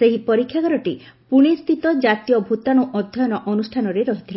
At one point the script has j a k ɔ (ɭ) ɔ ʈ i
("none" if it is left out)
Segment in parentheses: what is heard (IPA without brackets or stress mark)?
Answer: ɾ